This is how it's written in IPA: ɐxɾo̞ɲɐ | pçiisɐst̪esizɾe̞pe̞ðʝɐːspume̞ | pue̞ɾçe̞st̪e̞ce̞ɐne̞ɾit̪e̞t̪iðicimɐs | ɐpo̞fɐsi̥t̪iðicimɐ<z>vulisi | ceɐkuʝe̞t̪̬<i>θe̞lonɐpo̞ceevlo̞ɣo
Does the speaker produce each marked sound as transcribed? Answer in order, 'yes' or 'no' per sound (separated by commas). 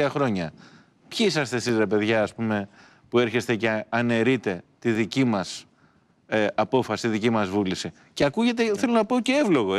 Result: yes, no